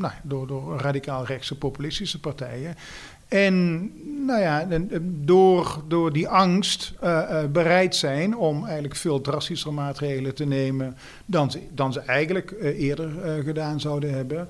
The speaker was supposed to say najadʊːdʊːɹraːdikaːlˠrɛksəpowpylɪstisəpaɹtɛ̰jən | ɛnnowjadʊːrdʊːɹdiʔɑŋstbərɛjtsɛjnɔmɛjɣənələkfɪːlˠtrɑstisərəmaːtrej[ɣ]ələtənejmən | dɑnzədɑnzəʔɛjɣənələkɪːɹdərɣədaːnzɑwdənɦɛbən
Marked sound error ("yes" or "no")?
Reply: no